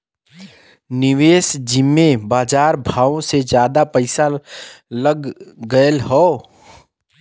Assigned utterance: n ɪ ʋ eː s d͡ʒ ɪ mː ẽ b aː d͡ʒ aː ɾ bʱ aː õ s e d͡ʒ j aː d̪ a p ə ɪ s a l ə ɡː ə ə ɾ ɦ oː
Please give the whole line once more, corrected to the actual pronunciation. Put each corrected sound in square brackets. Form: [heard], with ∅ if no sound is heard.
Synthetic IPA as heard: n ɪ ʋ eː s d͡ʒ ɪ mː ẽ b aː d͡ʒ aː ɾ bʱ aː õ s e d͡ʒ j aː d̪ a p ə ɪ s a l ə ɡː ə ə [l] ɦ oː